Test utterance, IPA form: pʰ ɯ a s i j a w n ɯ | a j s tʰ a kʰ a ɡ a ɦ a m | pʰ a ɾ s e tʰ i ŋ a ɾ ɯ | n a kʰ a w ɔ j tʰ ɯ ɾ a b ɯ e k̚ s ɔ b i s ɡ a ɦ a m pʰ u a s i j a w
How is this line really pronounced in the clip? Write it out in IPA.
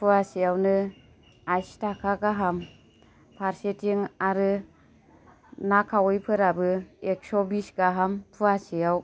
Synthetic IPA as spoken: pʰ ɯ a s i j a w n ɯ | a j s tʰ a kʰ a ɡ a ɦ a m | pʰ a ɾ s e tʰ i ŋ a ɾ ɯ | n a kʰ a w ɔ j pʰ ɯ ɾ a b ɯ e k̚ s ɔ b i s ɡ a ɦ a m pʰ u a s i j a w